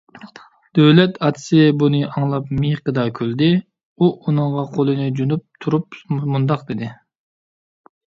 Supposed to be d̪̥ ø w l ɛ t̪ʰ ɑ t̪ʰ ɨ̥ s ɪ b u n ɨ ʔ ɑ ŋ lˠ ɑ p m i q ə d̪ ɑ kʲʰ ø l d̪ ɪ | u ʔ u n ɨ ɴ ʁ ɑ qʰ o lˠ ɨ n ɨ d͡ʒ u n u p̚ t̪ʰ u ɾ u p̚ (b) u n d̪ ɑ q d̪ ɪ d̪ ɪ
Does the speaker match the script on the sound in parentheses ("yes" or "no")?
no